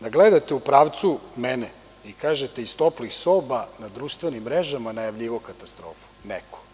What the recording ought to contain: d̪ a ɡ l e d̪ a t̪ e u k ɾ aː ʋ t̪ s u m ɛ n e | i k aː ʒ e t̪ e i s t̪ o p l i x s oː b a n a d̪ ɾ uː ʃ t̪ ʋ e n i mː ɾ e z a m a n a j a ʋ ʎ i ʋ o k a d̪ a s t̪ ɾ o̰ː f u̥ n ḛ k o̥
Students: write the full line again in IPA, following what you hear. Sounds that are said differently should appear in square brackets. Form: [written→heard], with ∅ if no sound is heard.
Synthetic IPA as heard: d̪ a ɡ l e d̪ a t̪ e u [k→p] ɾ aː ʋ t̪ s u m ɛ n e | i k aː ʒ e t̪ e i s t̪ o p l i x s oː b a n a d̪ ɾ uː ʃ t̪ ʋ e n i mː ɾ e [z→ʒ] a m a n a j a ʋ ʎ i ʋ o k a [d̪→t̪] a s t̪ ɾ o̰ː f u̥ n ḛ k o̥